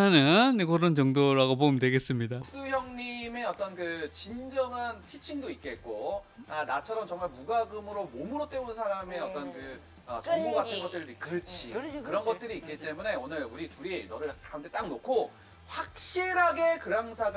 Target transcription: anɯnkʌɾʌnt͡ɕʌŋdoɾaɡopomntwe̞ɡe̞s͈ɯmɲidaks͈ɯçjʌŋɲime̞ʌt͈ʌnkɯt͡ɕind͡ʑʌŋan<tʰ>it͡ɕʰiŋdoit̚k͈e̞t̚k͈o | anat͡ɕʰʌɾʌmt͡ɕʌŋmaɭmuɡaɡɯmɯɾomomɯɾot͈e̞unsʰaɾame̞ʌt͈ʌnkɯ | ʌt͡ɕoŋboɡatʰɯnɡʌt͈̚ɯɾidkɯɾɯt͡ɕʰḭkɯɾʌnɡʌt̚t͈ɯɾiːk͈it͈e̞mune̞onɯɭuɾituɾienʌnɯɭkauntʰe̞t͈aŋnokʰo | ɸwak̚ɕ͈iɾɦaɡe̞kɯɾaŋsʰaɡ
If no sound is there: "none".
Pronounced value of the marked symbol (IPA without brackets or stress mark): tʰ